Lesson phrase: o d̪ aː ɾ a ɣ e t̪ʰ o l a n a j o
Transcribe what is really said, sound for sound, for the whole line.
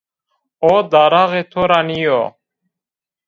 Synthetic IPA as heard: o d̪ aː ɾ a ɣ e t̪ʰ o ɾ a n i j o